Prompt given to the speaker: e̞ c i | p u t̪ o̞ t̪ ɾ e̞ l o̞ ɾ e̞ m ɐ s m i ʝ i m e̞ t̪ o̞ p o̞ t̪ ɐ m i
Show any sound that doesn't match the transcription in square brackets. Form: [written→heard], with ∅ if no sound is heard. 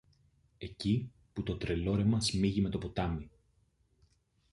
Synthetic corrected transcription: e̞ c i | p u t̪ o̞ t̪ ɾ e̞ l o̞ ɾ e̞ m ɐ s m i ʝ i m e̞ t̪ o̞ p o̞ t̪ ɐ m i